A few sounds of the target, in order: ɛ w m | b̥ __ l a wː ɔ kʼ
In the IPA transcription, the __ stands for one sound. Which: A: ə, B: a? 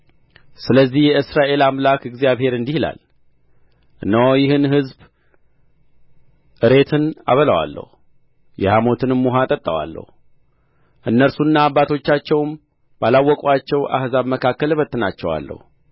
B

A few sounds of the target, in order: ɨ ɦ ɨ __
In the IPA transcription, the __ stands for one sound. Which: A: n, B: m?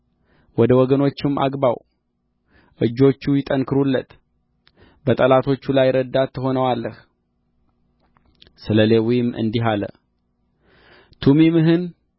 A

